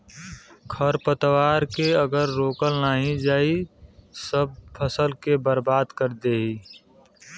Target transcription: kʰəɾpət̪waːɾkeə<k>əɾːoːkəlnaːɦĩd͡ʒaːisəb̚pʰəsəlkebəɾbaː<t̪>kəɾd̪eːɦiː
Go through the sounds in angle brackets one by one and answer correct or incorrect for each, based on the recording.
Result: incorrect: ɡ, incorrect: d̪

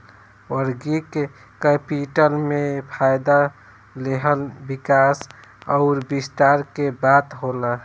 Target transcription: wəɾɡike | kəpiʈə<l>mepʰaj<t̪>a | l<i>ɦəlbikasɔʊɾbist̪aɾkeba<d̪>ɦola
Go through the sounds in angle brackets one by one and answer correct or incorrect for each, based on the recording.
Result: correct, incorrect: d̪, incorrect: e, incorrect: t̪

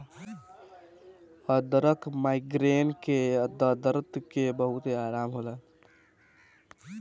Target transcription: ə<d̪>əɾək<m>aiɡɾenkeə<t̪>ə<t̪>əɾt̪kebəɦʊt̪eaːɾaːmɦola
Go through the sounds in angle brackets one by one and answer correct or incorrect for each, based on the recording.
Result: correct, correct, incorrect: d̪, incorrect: d̪

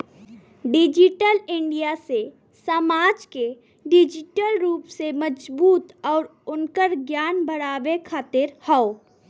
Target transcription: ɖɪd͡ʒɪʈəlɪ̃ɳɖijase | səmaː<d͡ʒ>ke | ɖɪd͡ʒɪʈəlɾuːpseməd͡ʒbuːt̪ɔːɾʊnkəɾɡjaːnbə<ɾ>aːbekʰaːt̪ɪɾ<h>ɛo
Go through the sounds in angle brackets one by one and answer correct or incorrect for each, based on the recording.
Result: correct, incorrect: ɽ, correct

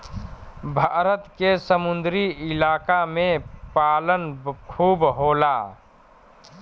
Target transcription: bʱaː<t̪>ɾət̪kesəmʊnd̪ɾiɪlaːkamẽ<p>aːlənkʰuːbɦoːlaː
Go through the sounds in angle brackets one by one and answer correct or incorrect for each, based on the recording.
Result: incorrect: none, correct

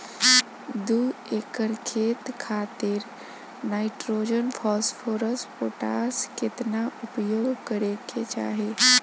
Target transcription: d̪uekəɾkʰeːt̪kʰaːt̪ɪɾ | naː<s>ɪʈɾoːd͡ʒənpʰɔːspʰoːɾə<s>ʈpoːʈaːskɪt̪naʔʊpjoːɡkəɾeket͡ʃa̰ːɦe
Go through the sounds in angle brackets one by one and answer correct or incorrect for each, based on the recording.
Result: incorrect: none, correct

